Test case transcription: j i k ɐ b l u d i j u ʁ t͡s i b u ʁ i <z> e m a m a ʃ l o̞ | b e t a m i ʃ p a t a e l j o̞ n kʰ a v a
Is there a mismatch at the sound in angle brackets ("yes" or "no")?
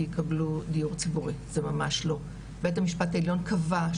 no